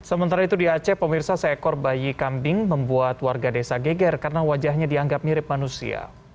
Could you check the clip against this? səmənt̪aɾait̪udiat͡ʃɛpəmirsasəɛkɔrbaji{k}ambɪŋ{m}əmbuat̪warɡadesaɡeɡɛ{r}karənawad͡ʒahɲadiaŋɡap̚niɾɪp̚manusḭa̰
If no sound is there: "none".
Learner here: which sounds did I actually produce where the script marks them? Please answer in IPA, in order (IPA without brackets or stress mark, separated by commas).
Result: k, m, r